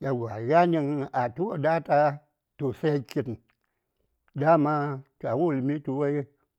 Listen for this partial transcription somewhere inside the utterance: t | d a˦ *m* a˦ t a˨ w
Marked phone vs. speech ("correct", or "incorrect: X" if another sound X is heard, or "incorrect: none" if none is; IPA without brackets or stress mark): correct